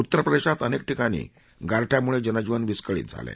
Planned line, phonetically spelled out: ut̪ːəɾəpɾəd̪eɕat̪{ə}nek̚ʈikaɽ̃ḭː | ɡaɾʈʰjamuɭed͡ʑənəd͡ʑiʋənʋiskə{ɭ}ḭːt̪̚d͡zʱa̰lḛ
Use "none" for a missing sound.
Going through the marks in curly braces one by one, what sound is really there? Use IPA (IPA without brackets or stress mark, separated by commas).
ə, ɭ